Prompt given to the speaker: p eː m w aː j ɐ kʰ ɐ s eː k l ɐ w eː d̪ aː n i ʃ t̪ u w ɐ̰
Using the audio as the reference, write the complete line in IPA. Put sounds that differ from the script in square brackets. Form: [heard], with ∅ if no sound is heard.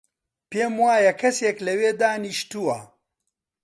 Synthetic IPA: p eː m w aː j ɐ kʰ ɐ s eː k l ɐ w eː d̪ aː n i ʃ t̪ u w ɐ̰

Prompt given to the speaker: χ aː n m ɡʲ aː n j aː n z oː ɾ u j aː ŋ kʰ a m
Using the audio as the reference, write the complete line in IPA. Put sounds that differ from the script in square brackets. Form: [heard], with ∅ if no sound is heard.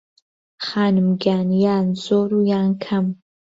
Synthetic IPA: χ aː n m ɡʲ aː n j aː n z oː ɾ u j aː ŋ kʰ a m

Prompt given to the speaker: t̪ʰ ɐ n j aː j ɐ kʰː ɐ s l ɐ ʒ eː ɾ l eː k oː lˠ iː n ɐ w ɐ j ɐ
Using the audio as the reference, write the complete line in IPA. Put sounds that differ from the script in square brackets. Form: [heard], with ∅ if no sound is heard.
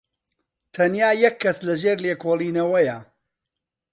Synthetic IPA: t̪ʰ ɐ n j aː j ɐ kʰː ɐ s l ɐ ʒ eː ɾ l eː k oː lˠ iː n ɐ w ɐ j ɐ

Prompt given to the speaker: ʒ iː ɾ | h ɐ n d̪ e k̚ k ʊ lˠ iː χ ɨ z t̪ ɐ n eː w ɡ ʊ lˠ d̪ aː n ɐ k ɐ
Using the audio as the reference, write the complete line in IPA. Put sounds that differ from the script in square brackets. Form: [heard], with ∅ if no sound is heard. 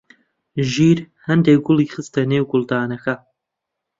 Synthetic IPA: ʒ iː ɾ | h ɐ n d̪ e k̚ [ɡ] ʊ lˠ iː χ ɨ [s] t̪ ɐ n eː w ɡ ʊ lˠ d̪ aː n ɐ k ɐ

